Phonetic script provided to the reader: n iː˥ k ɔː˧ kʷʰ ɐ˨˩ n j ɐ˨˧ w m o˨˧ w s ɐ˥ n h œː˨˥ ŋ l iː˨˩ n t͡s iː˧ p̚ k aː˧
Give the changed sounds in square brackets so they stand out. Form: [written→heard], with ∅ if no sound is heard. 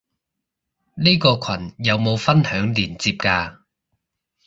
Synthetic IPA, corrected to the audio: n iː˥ k ɔː˧ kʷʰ ɐ˨˩ n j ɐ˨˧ w m o˨˧ w [s→f] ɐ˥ n h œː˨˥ ŋ l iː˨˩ n t͡s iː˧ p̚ k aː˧

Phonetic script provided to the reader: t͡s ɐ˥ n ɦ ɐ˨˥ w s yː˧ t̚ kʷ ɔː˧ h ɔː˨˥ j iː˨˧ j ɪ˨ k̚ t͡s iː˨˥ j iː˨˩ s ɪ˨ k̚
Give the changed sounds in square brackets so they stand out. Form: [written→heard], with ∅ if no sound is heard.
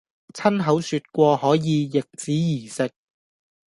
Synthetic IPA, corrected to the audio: [t͡s→t͡sʰ] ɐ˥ n ɦ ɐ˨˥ w s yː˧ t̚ kʷ ɔː˧ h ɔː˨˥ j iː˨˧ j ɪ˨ k̚ t͡s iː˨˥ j iː˨˩ s ɪ˨ k̚

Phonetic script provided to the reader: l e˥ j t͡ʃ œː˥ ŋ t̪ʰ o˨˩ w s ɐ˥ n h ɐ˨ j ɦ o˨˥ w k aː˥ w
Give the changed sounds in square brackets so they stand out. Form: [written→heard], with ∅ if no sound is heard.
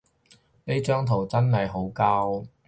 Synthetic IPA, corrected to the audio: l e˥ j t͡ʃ œː˥ ŋ t̪ʰ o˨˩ w [s→t͡s] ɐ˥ n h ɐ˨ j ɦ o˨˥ w k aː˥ w

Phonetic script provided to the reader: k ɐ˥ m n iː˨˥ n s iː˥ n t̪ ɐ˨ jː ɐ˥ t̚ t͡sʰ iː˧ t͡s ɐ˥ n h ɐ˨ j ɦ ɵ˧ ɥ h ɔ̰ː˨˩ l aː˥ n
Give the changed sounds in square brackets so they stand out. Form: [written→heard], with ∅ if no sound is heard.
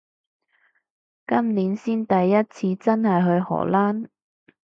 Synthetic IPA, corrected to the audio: k ɐ˥ m n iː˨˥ n s iː˥ n t̪ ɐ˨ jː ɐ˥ t̚ t͡sʰ iː˧ t͡s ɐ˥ n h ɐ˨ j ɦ ɵ˧ ɥ h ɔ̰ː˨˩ l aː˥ n

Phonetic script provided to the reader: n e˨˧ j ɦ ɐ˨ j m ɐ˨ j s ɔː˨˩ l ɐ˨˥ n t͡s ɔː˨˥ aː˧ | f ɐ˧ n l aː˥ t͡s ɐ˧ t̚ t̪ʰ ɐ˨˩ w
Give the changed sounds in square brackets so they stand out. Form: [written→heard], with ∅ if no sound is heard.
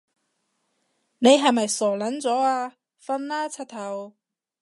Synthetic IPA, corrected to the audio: n e˨˧ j ɦ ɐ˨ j m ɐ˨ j s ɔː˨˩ l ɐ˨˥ n t͡s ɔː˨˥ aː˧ | f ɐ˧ n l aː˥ [t͡s→t͡sʰ] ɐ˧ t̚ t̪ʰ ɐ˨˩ w

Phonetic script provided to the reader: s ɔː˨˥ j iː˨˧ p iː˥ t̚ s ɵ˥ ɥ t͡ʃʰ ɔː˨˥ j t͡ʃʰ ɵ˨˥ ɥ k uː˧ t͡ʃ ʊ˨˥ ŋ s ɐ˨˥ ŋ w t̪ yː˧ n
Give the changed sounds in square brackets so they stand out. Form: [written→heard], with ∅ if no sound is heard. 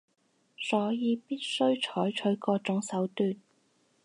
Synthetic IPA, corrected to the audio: s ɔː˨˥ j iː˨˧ p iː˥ t̚ s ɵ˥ ɥ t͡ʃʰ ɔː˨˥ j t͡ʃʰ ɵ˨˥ ɥ k [uː˧→ɔː˧] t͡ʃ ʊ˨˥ ŋ s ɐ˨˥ [ŋ→∅] w t̪ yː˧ n

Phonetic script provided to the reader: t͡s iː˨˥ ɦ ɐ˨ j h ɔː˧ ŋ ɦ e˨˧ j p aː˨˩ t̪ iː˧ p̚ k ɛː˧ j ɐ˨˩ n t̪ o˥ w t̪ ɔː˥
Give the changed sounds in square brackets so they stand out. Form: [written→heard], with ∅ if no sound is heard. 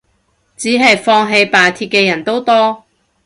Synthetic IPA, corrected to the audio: t͡s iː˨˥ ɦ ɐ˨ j [h→f] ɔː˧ ŋ ɦ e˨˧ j p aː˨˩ [t̪→t̪ʰ] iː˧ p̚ k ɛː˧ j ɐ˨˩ n t̪ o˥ w t̪ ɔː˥

